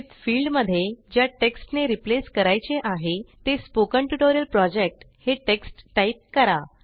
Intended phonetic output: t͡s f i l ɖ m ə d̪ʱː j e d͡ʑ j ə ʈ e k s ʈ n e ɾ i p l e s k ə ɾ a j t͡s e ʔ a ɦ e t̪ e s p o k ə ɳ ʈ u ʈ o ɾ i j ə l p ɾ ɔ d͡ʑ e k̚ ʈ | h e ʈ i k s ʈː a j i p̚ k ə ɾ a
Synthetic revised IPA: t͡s f i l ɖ m ə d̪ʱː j e d͡ʑ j a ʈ e k s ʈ n e ɾ i p l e s k ə ɾ a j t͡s e ʔ a ɦ e t̪ e s p o k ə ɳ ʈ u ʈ o ɾ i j ə l p ɾ ɔ d͡ʑ e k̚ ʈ | h e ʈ e k s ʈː a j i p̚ k ə ɾ a